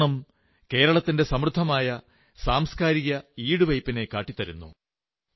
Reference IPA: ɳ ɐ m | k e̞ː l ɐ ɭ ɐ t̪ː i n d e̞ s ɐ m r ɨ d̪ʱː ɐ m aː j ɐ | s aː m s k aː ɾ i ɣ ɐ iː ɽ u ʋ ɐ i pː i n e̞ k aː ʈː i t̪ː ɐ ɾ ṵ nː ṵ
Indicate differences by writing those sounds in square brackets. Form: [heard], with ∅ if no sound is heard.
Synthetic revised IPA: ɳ ɐ m | k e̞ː [ɾ] ɐ ɭ ɐ t̪ː i n d e̞ s ɐ m r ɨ d̪ʱː ɐ m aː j ɐ | s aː m s k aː ɾ i ɣ ɐ iː ɽ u ʋ ɐ [j] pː i n e̞ k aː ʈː i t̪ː ɐ ɾ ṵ nː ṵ